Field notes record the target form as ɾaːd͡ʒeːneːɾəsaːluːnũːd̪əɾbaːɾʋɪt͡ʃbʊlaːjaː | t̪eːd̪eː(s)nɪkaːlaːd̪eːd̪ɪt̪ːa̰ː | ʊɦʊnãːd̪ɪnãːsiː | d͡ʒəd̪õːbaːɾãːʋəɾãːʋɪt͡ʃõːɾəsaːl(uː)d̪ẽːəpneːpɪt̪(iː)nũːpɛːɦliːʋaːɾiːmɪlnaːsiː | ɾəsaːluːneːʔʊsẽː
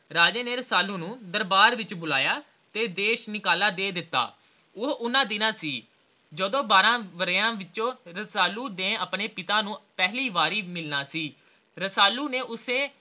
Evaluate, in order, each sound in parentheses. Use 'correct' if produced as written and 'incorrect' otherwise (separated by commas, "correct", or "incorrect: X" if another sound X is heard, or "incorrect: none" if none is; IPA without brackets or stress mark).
incorrect: ʃ, correct, incorrect: aː